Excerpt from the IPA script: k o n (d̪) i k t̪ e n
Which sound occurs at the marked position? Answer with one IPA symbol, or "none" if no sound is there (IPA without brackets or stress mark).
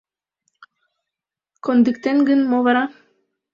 d̪